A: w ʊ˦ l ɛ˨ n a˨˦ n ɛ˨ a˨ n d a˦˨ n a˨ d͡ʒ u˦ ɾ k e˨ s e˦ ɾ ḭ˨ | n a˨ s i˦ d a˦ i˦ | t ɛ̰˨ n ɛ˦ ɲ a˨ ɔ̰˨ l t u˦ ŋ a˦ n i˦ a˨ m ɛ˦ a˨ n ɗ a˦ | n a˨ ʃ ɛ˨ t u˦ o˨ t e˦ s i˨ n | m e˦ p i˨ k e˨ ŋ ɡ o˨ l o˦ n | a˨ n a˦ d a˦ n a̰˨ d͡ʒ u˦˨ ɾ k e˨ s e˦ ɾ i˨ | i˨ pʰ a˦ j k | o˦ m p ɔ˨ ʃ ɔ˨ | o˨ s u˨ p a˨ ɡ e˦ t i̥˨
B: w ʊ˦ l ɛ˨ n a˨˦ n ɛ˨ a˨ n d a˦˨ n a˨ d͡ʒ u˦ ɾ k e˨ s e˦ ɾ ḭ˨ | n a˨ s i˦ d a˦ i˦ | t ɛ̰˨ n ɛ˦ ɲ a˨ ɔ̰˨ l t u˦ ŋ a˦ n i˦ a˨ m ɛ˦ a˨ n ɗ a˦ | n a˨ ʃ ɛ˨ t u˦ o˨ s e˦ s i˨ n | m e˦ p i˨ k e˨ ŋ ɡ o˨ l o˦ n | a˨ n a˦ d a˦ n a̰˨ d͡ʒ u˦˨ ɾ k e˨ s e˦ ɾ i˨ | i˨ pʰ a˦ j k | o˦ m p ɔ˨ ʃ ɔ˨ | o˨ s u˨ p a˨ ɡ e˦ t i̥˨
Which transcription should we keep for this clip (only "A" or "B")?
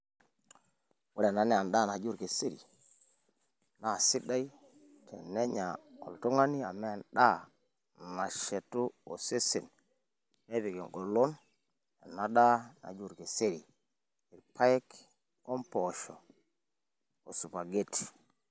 B